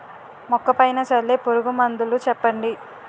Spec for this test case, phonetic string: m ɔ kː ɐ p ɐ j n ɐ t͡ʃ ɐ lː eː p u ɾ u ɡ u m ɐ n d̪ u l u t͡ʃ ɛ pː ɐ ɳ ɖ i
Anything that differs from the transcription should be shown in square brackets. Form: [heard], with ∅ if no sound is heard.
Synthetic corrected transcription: m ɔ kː ɐ p ɐ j n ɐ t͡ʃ ɐ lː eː p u ɾ u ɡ u m ɐ n d̪ u l u t͡ʃ ɛ pː ɐ ɳ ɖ i